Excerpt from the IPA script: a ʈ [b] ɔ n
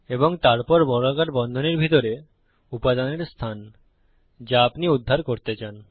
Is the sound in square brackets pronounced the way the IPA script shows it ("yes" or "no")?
yes